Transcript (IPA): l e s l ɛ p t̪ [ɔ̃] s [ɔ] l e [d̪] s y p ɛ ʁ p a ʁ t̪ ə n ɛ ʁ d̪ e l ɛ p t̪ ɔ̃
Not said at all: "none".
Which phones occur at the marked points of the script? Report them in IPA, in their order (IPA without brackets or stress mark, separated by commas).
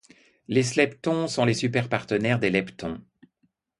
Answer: ɔ̃, ɔ̃, none